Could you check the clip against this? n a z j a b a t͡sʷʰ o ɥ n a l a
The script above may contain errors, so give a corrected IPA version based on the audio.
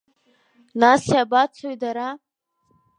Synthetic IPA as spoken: n a s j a b a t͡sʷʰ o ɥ d a ɾ a